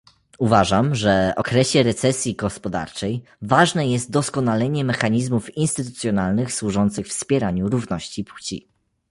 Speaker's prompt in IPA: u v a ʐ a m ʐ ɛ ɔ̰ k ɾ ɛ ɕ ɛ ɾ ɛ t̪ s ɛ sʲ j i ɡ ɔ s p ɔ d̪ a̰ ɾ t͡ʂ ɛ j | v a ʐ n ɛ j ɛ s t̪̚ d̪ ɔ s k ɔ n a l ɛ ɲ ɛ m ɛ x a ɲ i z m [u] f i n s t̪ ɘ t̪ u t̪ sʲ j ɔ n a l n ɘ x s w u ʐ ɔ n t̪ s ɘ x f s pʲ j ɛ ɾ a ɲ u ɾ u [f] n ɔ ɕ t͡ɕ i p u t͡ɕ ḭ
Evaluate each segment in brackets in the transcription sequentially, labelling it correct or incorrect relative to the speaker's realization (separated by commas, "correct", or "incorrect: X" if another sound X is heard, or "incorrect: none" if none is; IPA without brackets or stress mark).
correct, incorrect: v